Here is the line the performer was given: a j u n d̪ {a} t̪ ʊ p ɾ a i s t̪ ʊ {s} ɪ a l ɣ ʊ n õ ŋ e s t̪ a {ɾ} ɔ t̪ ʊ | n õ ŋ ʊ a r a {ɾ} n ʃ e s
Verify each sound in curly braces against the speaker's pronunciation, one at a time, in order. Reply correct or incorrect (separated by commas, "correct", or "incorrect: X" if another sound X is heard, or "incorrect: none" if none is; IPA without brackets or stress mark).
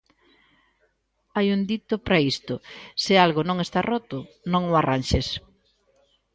incorrect: i, correct, incorrect: r, incorrect: none